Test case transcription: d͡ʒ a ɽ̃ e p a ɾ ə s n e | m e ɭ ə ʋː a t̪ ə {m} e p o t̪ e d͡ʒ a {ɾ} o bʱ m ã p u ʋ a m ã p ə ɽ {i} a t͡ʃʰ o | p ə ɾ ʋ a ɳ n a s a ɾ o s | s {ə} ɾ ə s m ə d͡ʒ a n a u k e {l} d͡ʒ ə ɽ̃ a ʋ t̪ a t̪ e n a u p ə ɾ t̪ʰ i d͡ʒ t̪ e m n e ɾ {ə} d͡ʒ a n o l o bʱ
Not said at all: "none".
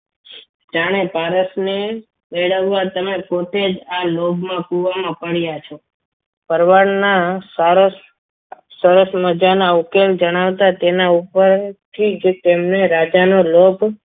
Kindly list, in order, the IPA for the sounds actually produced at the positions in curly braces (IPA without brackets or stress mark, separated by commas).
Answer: m, l, j, ə, l, a